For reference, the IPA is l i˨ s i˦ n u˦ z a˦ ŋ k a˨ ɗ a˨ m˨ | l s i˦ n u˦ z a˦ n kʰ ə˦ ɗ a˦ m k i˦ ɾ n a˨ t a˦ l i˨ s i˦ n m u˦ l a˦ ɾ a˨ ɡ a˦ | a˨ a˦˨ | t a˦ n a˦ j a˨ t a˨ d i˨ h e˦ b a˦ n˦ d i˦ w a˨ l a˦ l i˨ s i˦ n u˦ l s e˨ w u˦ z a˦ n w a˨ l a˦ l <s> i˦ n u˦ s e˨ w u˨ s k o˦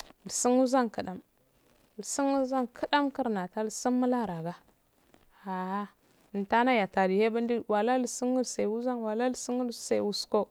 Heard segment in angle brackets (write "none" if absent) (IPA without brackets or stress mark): s